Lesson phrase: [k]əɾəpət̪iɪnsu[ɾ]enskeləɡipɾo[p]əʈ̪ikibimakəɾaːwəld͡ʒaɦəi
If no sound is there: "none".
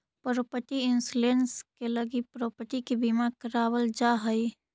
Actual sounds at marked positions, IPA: p, l, p

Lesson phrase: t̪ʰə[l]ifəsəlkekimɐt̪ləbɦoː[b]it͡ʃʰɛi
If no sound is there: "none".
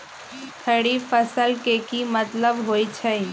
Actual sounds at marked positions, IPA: ɽ, none

